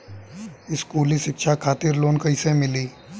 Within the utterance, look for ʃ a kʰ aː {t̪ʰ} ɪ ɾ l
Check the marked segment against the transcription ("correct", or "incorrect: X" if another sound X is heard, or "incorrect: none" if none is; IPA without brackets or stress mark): incorrect: t̪